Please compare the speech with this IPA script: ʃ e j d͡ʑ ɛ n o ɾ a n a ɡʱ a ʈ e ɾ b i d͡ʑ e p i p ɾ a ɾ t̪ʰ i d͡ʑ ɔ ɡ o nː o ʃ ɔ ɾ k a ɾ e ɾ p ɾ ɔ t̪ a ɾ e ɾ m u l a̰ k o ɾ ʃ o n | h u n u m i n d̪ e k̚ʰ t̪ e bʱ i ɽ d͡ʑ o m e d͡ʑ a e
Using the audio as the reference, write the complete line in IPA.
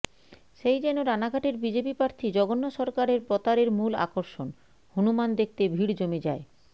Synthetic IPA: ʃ e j d͡ʑ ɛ n o ɾ a n a ɡʱ a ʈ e ɾ b i d͡ʑ e p i p ɾ a ɾ t̪ʰ i d͡ʑ ɔ ɡ o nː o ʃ ɔ ɾ k a ɾ e ɾ p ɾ ɔ t̪ a ɾ e ɾ m u l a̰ k o ɾ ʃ o n | h u n u m a n d̪ e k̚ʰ t̪ e bʱ i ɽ d͡ʑ o m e d͡ʑ a e